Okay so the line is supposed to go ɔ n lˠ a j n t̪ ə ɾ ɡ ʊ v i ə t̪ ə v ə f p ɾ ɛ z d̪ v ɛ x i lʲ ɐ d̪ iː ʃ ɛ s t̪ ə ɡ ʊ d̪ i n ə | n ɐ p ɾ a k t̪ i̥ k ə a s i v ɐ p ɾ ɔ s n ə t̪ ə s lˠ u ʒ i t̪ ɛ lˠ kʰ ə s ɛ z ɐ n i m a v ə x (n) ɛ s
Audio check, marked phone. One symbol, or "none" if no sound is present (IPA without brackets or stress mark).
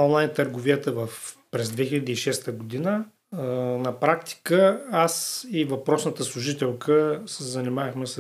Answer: m